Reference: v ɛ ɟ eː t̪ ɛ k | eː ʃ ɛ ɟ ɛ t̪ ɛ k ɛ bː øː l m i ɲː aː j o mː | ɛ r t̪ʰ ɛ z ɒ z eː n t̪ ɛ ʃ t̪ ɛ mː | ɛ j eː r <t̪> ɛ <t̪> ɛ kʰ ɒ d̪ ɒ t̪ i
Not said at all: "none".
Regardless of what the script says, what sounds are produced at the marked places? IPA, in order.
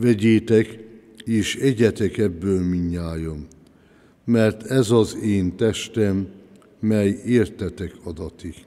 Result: t̪, t̪

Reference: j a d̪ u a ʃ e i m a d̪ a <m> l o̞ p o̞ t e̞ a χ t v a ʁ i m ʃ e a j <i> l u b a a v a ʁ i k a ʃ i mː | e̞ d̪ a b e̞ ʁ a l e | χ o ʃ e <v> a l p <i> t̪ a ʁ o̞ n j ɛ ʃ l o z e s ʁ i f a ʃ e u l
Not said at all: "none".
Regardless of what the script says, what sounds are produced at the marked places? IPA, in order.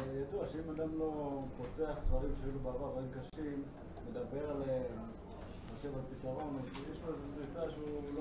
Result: m, i, v, i

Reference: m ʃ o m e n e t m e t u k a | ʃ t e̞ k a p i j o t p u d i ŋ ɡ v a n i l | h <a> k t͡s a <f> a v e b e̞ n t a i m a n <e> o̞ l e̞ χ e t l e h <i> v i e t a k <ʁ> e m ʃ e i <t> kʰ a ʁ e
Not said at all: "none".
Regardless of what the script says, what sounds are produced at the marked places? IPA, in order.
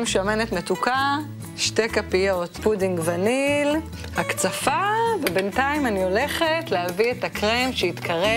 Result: a, f, i, a, ʁ, t

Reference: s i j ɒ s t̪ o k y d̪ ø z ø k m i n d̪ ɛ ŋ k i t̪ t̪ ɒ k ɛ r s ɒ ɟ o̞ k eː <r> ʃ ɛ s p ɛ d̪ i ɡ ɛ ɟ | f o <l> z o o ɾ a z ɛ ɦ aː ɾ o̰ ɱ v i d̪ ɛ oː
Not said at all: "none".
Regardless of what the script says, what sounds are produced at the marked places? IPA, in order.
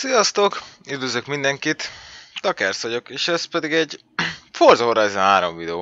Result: none, r

